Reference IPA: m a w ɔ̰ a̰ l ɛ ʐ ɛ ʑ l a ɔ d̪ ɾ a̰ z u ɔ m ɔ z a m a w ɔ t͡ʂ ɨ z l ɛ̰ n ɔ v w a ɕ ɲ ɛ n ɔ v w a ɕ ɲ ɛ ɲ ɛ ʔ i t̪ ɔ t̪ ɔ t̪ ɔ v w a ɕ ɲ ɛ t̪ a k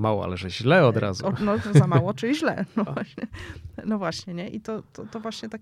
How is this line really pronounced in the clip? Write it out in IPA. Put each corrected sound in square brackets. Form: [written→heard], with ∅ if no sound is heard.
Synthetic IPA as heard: m a w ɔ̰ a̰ l ɛ ʐ ɛ ʑ l [a→ɛ] ɔ d̪ ɾ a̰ z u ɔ [m→n] ɔ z a m a w ɔ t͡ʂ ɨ [z→ʑ] l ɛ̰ n ɔ v w a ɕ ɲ ɛ n ɔ v w a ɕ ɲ ɛ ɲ ɛ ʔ i t̪ ɔ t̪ ɔ t̪ ɔ v w a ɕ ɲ ɛ t̪ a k